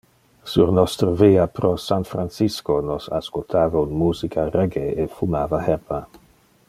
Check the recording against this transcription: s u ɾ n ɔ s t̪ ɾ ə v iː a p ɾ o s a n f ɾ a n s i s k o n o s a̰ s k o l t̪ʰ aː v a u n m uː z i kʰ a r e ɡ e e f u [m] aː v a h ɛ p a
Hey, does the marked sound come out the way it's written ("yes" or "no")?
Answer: yes